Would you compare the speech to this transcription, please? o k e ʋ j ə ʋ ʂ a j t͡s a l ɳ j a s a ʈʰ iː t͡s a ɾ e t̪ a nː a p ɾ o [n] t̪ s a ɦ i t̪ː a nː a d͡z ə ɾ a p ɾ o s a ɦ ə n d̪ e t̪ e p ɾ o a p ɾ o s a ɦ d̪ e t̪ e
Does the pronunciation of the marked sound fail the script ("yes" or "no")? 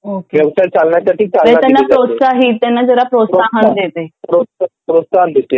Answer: yes